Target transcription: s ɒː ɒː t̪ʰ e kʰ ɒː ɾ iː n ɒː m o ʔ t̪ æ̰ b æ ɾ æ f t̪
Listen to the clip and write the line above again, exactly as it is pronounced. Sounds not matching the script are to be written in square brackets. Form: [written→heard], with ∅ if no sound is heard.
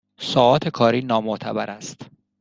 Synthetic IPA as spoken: s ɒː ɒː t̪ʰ e kʰ ɒː ɾ iː n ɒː m o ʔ [t̪→t̪ʰ] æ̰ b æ ɾ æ [f→s] t̪